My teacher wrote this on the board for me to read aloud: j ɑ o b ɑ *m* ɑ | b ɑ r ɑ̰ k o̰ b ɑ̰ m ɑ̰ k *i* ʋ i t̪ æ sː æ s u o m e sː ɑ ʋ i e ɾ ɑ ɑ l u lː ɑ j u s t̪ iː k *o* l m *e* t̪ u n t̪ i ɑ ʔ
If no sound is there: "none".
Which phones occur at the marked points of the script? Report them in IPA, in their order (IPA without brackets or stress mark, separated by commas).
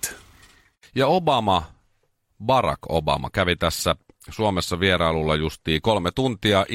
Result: m, æ, o, e